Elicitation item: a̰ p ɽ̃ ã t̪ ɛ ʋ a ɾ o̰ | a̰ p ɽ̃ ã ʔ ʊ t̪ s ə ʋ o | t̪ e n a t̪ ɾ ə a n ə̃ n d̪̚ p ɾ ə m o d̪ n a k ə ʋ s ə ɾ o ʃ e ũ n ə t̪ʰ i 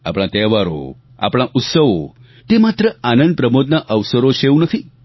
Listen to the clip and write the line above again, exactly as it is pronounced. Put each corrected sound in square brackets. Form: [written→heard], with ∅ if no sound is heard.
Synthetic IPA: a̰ p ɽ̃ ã t̪ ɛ ʋ a ɾ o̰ | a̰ p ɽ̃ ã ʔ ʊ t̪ s ə ʋ o | t̪ e [n→m] a t̪ ɾ ə a n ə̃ n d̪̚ p ɾ ə m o d̪ n a [k→ʔ] ə ʋ s ə ɾ o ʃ e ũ n ə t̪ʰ i